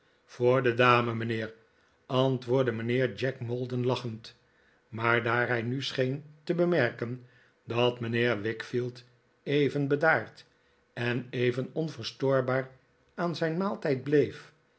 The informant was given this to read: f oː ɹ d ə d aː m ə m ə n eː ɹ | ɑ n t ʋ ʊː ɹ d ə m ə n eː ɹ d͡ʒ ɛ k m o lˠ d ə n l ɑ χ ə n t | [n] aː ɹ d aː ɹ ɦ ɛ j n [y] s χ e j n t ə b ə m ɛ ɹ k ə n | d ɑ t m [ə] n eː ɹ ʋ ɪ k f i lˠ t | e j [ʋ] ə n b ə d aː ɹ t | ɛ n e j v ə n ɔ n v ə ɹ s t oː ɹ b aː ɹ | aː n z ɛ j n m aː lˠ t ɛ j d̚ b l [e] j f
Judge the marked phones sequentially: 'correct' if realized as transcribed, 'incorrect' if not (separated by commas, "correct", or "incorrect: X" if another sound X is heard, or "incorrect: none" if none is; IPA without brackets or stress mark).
incorrect: m, correct, correct, incorrect: v, correct